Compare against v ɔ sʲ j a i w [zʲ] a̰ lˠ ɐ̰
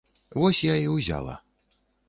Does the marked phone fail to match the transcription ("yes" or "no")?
no